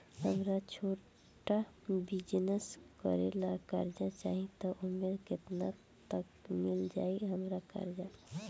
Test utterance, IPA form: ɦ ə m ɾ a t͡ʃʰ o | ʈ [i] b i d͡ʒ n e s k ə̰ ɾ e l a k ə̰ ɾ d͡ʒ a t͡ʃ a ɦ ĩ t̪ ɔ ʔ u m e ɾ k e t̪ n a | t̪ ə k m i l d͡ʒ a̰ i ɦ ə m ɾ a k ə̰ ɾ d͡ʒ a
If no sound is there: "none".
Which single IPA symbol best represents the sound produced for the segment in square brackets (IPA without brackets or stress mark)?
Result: a